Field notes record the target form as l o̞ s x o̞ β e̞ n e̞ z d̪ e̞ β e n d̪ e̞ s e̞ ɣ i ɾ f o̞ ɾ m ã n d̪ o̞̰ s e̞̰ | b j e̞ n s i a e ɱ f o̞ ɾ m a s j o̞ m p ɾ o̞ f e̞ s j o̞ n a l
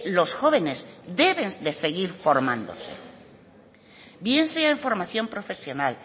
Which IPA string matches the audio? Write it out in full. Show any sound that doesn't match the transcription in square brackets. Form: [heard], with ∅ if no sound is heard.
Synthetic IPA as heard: l o̞ s x o̞ β e̞ n e̞ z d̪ e̞ β e n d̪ e̞ s e̞ ɣ i ɾ f o̞ ɾ m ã n d̪ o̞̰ s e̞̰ | b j e̞ n s [e] a e ɱ f o̞ ɾ m a [θ] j o̞ m p ɾ o̞ f e̞ s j o̞ n a l